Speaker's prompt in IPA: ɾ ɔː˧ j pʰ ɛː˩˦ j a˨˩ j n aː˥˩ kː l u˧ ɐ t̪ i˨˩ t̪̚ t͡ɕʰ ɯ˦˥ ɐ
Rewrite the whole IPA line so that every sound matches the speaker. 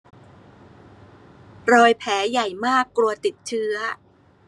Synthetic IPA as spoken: ɾ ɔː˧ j pʰ ɛː˩˦ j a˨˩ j m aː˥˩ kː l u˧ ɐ t̪ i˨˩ t̪̚ t͡ɕʰ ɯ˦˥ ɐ